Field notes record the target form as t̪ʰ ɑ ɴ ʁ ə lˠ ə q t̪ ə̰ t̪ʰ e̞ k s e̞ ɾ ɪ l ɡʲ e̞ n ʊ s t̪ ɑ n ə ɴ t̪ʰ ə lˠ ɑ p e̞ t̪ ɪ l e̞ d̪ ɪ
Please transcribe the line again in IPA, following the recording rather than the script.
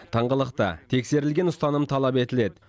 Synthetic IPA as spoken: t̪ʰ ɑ ɴ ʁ ə lˠ ə q t̪ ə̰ t̪ʰ e̞ k s e̞ ɾ ɪ l ɡʲ e̞ n ʊ s t̪ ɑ n ə m t̪ʰ ɑ lˠ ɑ p e̞ t̪ ɪ l e̞ d̪ ɪ